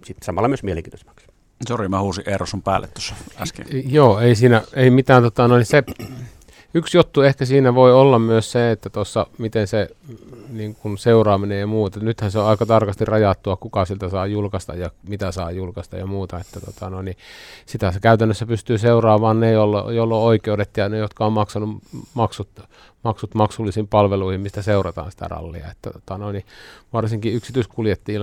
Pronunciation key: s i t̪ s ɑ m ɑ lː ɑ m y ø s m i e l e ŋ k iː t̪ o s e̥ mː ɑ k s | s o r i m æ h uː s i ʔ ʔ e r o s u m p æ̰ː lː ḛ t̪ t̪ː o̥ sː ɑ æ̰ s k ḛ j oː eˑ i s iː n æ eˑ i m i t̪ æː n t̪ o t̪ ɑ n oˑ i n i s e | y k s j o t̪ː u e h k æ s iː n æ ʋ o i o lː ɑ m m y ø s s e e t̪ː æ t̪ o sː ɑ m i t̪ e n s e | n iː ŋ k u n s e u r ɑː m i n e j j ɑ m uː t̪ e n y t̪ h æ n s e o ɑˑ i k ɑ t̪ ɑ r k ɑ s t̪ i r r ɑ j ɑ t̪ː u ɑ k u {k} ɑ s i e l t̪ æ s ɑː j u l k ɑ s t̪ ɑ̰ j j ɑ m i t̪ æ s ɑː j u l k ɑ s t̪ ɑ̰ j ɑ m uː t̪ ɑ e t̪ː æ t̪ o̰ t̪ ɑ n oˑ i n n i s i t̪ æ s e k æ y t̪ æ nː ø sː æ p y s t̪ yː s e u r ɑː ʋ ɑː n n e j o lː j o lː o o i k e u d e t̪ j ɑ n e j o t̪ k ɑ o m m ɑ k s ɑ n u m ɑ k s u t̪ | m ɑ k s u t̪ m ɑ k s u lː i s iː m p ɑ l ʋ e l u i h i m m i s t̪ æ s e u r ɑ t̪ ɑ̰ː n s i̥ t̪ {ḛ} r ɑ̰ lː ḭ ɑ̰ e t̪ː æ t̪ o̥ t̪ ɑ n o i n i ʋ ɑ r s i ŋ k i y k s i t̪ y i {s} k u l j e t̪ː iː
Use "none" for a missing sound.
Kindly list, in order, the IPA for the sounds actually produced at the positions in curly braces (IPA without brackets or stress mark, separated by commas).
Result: k, æ̰, s